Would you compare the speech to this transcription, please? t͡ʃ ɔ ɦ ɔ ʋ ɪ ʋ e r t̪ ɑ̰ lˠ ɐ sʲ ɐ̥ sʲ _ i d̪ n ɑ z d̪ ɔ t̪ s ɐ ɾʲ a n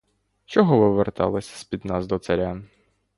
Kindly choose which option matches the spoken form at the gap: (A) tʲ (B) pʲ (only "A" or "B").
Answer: B